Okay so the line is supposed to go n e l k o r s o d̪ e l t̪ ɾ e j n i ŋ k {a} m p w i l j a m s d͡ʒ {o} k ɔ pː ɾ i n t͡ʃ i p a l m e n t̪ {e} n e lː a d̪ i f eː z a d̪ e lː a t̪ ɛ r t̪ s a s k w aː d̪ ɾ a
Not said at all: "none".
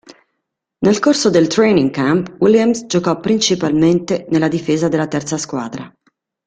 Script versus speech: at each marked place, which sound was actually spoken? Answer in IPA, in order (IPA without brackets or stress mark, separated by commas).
a, o, e